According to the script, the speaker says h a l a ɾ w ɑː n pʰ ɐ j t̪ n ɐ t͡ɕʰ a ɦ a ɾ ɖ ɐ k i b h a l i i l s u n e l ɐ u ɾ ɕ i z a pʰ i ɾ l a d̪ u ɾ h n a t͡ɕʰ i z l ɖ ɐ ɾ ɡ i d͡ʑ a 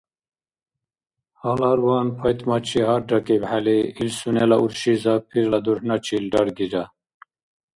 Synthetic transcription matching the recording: h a l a ɾ w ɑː n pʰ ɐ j t̪ m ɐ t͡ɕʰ i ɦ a ɾ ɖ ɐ k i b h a l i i l s u n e l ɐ u ɾ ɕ i z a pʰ i ɾ l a d̪ u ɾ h n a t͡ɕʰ i l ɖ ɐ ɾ ɡ i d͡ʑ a